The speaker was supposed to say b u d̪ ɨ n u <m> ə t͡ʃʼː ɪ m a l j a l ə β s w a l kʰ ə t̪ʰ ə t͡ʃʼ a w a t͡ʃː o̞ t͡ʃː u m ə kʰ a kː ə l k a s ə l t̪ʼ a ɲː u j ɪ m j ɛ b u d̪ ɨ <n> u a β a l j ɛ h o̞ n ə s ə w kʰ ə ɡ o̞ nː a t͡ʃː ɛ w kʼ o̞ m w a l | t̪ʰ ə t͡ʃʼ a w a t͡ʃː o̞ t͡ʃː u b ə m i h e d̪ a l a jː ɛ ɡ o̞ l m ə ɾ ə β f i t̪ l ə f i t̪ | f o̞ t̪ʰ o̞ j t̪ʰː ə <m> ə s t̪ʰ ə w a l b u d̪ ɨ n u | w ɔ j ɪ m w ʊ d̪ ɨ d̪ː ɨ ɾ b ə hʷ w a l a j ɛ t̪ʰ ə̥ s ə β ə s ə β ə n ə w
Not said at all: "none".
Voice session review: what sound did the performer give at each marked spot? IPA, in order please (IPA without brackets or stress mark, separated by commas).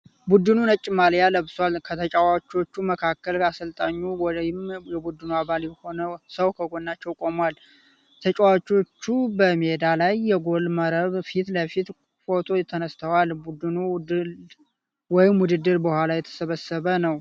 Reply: n, n, n